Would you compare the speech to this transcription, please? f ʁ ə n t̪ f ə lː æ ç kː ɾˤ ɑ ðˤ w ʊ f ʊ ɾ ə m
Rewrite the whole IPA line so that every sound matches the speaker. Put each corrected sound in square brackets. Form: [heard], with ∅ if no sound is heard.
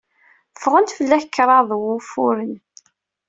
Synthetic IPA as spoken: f ʁ ə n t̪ f ə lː æ ç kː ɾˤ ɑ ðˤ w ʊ f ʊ ɾ ə [n]